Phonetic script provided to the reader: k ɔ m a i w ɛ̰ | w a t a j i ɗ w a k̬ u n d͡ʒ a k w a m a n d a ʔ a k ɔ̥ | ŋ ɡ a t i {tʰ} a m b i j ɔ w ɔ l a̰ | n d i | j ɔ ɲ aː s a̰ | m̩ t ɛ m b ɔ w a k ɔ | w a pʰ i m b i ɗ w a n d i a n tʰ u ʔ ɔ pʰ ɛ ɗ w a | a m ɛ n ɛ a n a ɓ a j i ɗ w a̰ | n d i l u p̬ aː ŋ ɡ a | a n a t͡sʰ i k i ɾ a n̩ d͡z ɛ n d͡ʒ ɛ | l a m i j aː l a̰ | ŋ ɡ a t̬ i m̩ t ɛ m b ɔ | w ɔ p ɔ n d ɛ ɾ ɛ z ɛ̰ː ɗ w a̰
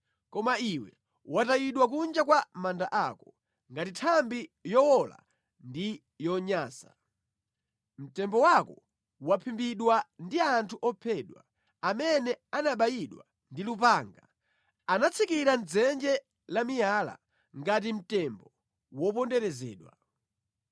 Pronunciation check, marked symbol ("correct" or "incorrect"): correct